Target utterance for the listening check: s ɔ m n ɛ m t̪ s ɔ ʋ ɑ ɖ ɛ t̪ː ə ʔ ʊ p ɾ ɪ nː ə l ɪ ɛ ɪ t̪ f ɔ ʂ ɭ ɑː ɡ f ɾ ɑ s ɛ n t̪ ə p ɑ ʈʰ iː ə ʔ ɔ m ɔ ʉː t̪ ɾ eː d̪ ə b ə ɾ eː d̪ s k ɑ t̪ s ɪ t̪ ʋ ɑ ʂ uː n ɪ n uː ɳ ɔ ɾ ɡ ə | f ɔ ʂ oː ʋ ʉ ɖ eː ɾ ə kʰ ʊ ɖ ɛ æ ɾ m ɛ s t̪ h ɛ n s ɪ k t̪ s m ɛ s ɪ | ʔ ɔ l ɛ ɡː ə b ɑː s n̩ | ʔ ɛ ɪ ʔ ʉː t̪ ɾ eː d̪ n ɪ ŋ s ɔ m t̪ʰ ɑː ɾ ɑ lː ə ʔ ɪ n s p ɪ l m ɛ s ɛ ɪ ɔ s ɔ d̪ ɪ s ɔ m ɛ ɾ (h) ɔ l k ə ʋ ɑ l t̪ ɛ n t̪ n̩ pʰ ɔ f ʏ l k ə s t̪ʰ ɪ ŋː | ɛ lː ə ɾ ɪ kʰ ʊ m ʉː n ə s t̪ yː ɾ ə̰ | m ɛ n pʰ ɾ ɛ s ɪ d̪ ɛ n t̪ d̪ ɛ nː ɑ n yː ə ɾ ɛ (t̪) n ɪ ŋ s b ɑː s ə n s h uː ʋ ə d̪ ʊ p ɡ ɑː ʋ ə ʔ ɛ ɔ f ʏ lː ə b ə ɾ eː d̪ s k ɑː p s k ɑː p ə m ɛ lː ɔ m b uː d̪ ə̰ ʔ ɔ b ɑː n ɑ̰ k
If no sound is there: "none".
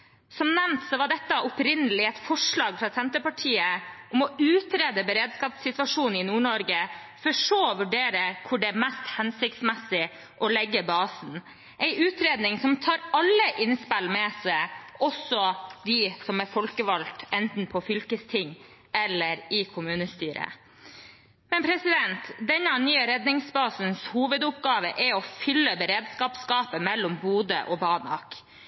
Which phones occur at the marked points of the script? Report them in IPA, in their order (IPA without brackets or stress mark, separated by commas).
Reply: f, d̪